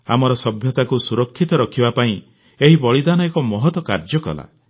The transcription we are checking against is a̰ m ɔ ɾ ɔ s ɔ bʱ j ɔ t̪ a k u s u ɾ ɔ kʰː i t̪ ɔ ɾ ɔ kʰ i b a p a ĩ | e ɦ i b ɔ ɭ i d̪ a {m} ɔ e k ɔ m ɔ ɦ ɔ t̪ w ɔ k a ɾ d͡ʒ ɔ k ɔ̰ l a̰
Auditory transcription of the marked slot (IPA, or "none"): n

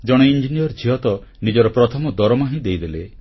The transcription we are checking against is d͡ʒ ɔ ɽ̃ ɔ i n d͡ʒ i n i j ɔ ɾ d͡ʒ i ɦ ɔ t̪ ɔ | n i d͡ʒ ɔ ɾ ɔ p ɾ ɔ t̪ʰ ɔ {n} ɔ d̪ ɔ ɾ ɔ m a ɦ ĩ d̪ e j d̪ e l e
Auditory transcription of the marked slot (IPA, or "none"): m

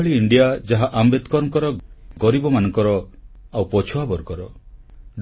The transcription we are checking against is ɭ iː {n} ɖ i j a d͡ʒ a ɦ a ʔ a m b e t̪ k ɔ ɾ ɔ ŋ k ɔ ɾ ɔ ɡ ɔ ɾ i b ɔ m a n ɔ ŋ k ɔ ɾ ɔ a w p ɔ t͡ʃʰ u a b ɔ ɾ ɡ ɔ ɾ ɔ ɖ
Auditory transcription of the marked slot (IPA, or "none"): ɳ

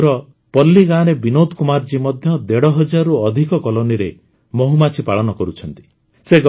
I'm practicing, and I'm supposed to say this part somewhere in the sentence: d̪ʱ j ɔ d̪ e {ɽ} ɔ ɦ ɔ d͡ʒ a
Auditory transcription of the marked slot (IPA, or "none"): ɽ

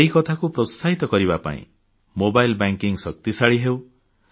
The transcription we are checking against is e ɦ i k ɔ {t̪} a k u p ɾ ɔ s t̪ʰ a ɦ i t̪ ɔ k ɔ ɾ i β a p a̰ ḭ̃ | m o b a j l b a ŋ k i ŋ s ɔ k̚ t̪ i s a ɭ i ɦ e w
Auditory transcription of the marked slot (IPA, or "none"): t̪ʰ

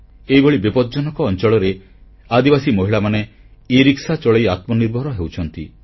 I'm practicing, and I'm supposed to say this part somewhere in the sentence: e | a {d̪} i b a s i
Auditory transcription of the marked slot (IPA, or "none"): d̪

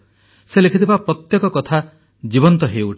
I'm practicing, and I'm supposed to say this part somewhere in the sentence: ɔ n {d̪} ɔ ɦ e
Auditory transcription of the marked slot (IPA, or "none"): t̪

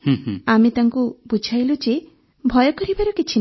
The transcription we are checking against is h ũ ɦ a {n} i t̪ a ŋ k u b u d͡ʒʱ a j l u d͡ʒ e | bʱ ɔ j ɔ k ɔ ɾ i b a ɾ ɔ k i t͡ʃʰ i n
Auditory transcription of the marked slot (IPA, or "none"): m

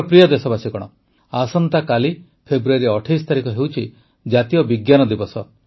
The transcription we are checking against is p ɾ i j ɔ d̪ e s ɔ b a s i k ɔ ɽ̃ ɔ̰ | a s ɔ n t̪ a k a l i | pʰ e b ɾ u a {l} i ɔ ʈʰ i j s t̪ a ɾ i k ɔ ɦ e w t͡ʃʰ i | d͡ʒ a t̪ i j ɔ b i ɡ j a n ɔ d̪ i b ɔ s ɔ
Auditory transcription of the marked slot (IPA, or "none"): ɾ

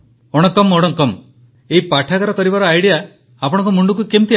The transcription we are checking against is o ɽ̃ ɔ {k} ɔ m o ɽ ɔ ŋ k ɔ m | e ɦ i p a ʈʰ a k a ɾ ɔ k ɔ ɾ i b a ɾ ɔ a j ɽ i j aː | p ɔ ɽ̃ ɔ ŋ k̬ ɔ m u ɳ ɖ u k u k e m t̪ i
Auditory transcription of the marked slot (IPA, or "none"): k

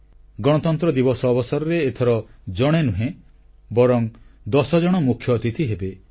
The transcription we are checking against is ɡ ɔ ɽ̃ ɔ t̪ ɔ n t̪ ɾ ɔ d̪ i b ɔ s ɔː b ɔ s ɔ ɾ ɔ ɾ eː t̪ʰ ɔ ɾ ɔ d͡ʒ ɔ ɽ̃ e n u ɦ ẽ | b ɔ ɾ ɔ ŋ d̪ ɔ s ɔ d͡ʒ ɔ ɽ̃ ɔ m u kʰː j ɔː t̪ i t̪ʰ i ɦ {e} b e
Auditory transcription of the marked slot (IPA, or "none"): e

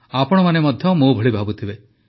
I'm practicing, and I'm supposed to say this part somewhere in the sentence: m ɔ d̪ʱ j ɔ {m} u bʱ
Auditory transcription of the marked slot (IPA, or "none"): m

